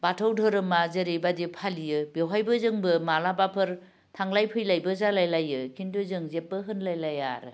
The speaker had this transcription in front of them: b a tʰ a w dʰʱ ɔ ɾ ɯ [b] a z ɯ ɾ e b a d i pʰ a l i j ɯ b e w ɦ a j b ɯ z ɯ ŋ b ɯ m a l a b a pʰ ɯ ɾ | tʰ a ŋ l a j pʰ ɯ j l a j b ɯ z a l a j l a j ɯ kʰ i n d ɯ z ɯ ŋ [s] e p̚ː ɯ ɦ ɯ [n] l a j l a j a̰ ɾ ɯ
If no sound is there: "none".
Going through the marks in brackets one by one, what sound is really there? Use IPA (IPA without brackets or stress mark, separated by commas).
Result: m, z, n